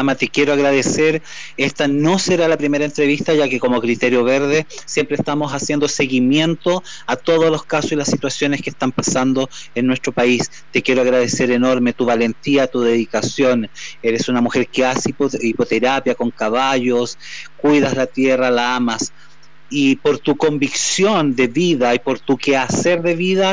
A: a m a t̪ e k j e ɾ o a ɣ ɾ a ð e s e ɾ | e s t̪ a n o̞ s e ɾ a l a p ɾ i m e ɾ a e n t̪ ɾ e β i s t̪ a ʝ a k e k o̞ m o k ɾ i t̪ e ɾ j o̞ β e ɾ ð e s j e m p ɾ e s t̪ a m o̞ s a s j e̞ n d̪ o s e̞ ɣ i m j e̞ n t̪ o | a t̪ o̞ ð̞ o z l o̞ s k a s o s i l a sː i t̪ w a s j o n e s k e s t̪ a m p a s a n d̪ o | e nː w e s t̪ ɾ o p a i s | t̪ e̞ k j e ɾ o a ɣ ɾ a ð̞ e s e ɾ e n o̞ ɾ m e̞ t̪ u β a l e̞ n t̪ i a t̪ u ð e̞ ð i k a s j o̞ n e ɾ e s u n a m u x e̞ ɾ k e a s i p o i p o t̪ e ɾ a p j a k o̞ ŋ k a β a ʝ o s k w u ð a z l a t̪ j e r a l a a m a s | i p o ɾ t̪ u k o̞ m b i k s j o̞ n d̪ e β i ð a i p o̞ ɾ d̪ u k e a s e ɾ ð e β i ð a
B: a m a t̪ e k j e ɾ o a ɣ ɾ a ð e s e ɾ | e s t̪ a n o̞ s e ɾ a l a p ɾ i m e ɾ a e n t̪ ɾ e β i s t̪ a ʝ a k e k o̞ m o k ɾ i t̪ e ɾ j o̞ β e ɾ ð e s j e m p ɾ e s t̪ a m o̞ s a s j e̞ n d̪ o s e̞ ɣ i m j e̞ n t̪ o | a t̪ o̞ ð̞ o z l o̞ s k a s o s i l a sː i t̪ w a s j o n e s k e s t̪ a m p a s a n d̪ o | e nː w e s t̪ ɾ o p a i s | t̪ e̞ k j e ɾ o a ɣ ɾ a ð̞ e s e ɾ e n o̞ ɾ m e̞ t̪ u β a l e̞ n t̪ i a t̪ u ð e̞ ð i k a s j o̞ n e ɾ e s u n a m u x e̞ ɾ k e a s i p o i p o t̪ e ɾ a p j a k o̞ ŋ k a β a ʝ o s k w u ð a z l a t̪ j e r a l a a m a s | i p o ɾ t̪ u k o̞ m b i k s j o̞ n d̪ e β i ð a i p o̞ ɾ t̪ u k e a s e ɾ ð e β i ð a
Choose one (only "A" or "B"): B